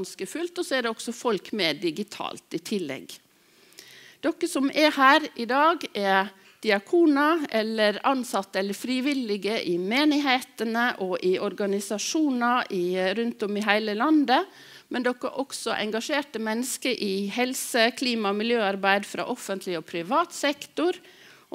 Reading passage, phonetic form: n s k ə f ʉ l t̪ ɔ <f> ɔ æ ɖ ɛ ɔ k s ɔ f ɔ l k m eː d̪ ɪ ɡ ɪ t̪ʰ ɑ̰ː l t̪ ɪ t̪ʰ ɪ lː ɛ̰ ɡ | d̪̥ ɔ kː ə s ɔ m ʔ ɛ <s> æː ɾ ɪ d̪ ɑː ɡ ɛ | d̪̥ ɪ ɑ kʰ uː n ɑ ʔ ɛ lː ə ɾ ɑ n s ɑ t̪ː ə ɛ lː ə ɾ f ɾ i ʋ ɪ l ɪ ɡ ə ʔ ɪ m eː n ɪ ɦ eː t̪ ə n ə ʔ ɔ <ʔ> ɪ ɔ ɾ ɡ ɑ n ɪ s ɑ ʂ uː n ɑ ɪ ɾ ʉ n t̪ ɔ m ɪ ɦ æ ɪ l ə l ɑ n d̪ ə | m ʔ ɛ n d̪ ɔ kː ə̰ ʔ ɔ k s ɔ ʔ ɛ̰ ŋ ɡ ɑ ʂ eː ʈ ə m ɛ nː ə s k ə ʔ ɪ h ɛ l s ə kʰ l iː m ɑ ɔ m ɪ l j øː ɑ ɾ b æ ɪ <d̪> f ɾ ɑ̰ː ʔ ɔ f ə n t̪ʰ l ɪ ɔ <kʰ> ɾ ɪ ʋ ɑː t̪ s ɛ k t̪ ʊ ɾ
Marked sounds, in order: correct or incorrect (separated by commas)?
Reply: incorrect, incorrect, correct, correct, incorrect